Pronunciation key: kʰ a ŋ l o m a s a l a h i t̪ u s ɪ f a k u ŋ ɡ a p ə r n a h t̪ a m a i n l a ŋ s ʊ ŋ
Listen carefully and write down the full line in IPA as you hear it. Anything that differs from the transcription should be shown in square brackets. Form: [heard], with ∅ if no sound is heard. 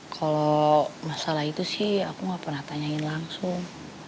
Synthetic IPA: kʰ a [∅] l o m a s a l a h i t̪ u s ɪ [h] a k u ŋ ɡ a p ə r n a h t̪ a [ɲ] a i n l a ŋ s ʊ ŋ